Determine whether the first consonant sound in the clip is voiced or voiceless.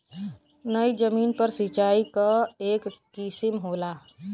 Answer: voiced